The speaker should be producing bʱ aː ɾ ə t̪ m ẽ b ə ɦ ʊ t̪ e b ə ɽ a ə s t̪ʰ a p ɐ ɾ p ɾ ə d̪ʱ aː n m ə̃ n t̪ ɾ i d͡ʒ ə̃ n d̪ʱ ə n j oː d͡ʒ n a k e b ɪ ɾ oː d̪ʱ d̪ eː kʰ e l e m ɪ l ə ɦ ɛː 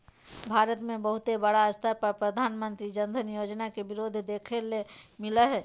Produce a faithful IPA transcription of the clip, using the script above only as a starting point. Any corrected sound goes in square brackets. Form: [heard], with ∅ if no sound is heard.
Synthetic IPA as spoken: bʱ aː ɾ ə t̪ m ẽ b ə ɦ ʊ t̪ e b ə ɽ a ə s t̪ʰ a p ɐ ɾ p ɾ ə d̪ʱ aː n m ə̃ n t̪ ɾ i d͡ʒ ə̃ n d̪ʱ ə n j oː d͡ʒ n a k e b ɪ ɾ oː d̪ʱ d̪ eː kʰ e l e m ɪ l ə ɦ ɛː